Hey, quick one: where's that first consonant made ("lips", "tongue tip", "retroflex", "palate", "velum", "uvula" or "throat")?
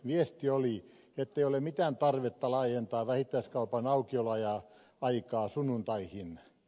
lips